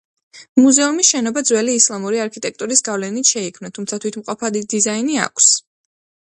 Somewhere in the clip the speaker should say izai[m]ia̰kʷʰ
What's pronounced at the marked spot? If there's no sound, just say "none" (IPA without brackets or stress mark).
n